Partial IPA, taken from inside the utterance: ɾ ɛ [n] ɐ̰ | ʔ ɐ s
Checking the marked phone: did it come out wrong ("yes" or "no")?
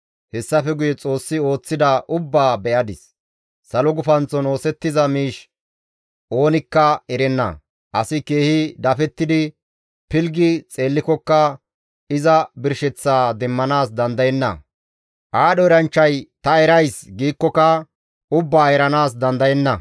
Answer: yes